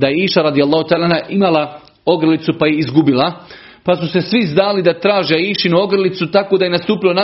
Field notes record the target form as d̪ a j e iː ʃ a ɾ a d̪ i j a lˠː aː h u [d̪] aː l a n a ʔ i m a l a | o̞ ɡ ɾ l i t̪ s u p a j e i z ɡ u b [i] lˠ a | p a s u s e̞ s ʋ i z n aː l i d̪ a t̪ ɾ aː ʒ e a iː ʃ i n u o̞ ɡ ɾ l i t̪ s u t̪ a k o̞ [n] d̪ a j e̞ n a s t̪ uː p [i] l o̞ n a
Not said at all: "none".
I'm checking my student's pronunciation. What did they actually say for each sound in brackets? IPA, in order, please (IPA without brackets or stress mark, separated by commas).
t̪, i, none, i